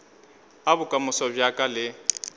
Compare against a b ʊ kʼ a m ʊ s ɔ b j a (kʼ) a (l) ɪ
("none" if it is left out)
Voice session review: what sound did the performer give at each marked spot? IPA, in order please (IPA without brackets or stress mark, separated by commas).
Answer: kʼ, l